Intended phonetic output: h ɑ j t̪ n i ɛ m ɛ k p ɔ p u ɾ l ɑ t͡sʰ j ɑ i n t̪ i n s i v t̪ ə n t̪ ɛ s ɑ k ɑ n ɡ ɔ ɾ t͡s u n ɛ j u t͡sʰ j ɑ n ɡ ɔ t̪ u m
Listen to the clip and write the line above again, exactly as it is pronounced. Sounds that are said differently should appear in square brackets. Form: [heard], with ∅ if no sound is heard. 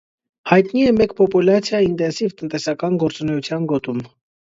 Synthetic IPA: h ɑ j t̪ n i ɛ m ɛ k p ɔ p u [∅] l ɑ t͡sʰ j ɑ i n t̪ [ɛ] n s i v t̪ ə n t̪ ɛ s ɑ k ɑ n ɡ ɔ ɾ t͡s u n ɛ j u t͡sʰ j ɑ n ɡ ɔ t̪ u m